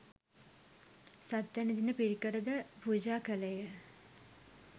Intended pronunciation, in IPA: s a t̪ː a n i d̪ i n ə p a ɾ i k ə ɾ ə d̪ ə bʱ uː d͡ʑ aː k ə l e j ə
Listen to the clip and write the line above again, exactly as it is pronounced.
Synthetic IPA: s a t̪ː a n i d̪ i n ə p i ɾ i k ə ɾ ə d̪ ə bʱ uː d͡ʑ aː k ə l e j ə